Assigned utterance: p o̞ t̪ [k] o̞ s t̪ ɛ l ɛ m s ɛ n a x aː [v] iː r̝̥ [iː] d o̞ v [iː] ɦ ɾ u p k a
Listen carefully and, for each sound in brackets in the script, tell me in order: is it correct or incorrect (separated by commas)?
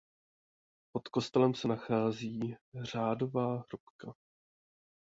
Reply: correct, incorrect, incorrect, incorrect